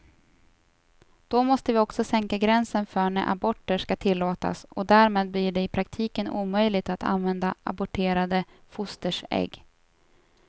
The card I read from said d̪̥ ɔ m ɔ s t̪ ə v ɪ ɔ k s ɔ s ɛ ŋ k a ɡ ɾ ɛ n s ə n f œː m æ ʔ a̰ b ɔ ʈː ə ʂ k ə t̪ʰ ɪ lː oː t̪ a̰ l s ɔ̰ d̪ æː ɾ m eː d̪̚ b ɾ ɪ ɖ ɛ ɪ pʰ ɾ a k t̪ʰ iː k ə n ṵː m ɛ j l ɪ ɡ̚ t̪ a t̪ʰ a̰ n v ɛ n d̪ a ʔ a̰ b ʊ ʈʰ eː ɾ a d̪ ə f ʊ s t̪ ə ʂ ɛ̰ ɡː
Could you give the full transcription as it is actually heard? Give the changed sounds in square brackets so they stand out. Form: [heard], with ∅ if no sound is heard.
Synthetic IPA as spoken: d̪̥ ɔ m ɔ s t̪ ə v ɪ ɔ k s ɔ s ɛ ŋ k a ɡ ɾ ɛ n s ə n f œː [ɳ] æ ʔ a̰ b ɔ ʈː ə ʂ k [a] t̪ʰ ɪ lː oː t̪ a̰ [∅] s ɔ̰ d̪ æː ɾ m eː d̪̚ b [l] ɪ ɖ ɛ ɪ pʰ ɾ a k t̪ʰ iː k ə n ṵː m [œ] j l ɪ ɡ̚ t̪ a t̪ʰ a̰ n v ɛ n d̪ a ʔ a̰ b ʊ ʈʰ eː ɾ a d̪ ə f ʊ s t̪ ə ʂ ɛ̰ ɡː